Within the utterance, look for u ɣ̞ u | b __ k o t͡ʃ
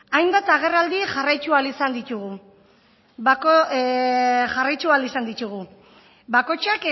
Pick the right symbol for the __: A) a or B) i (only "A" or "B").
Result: A